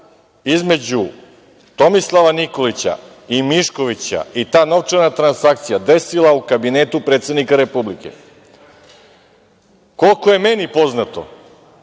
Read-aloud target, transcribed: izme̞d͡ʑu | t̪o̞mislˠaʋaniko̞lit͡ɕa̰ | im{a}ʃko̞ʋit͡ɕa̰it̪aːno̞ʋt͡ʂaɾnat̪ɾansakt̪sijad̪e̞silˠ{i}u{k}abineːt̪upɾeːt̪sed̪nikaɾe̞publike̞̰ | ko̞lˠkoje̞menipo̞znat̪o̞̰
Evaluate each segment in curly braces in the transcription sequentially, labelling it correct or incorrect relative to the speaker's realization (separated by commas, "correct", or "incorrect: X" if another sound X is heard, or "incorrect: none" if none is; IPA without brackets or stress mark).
incorrect: i, incorrect: a, correct